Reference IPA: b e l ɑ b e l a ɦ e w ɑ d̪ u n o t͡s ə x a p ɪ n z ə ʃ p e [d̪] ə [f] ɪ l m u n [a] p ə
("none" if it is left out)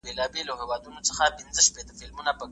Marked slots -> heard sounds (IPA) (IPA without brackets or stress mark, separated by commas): t̪, f, a